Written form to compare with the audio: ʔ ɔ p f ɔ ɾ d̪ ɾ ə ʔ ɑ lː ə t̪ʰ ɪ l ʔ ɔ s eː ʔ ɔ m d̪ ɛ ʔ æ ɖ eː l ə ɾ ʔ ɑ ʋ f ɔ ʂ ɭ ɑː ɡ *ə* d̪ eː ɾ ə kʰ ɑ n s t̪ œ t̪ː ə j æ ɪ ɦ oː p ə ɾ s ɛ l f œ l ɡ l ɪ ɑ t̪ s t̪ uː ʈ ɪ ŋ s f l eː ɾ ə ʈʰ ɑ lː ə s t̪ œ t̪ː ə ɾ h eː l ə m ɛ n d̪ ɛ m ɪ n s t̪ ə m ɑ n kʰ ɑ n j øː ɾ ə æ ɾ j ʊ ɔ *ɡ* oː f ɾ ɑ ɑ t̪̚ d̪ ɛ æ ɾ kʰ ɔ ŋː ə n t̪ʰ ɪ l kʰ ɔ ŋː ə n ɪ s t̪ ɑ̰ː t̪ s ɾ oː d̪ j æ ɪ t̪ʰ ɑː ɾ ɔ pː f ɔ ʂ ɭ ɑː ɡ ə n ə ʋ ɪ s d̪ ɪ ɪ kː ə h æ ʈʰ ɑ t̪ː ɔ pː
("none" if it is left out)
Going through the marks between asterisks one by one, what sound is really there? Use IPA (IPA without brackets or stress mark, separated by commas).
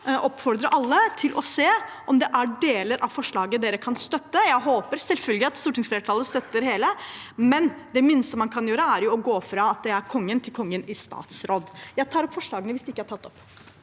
ə, ɡ